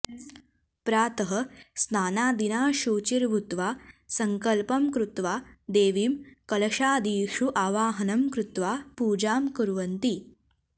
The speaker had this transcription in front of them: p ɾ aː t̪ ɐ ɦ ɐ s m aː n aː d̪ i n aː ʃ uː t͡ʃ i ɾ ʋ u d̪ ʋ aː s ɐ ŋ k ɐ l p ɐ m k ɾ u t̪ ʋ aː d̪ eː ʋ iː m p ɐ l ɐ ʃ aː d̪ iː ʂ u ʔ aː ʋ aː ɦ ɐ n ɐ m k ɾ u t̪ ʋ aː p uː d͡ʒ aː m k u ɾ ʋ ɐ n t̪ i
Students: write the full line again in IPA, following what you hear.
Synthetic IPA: p ɾ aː t̪ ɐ ɦ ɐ s n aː n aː d̪ i n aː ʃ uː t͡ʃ i ɾ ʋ u t̪ ʋ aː s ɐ ŋ k ɐ l p ɐ m k ɾ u t̪ ʋ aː d̪ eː ʋ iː m k ɐ l ɐ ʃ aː d̪ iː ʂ u ʔ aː ʋ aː ɦ ɐ n ɐ m k ɾ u t̪ ʋ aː p uː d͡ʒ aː m k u ɾ ʋ ɐ n t̪ i

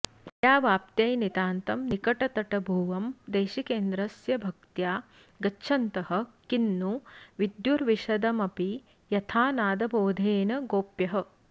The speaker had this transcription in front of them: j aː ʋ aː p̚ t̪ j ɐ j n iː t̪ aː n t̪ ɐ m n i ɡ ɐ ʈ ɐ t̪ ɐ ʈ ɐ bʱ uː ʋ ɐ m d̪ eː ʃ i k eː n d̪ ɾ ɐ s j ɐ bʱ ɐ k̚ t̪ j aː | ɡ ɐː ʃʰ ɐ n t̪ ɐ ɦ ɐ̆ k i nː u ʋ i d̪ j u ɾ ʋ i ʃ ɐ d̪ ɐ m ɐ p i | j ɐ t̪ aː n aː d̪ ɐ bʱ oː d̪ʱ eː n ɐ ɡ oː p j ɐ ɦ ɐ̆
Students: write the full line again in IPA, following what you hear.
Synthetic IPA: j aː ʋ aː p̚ t̪ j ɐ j n i t̪ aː n t̪ ɐ m n i k ɐ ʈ ɐ t̪ ɐ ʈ ɐ bʱ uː ʋ ɐ m d̪ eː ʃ i k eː n d̪ ɾ ɐ s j ɐ bʱ ɐ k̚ t̪ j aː | ɡ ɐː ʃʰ ɐ n t̪ ɐ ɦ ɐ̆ k i nː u ʋ i d̪ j u ɾ ʋ i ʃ ɐ d̪ ɐ m ɐ p i | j ɐ t̪ʰ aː n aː d̪ ɐ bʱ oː d̪ʱ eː n ɐ ɡ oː p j ɐ ɦ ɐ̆

